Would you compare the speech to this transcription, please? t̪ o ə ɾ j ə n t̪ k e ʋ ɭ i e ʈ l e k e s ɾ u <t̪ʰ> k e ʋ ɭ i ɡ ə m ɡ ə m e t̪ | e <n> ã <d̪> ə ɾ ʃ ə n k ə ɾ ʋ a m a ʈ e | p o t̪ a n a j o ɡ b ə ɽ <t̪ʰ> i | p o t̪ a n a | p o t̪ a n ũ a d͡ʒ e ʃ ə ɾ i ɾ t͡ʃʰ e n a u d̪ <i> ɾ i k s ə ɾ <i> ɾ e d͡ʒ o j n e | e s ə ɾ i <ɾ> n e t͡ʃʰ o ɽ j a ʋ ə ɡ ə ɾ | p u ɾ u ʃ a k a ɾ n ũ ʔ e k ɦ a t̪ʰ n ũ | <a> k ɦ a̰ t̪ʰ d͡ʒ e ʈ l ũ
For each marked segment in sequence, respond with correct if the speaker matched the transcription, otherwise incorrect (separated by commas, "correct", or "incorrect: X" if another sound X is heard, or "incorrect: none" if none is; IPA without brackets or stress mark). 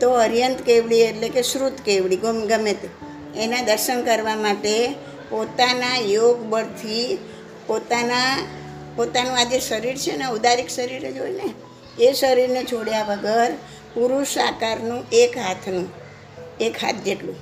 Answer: incorrect: t̪, correct, correct, correct, incorrect: a, correct, correct, incorrect: e